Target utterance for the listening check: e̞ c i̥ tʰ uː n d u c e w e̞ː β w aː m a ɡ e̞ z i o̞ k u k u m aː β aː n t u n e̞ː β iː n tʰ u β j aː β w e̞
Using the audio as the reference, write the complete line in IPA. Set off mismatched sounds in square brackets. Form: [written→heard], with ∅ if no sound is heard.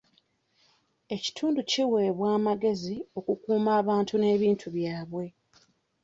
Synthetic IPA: e̞ c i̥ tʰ uː n d u c [e→i] w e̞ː β w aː m a ɡ e̞ z i o̞ k u k [u→uː] m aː β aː n t u n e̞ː β iː n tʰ u β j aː β w e̞